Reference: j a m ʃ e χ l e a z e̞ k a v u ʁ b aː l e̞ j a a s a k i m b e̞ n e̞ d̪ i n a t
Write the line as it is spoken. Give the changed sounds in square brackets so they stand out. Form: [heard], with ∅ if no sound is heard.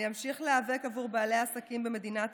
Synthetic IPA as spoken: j a m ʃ [i] χ l e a [v] e̞ k a v u ʁ b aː l e̞ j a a s a k i m b e̞ [m] e̞ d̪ i n a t